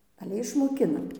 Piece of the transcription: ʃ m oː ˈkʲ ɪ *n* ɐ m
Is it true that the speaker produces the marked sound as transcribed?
yes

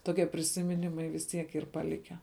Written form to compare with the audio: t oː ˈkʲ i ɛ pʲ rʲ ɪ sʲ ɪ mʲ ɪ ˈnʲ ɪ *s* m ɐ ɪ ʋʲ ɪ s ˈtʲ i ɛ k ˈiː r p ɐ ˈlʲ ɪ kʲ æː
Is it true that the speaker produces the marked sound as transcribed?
no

